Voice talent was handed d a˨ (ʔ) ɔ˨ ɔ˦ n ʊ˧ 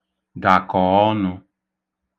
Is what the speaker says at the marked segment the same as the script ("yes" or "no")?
no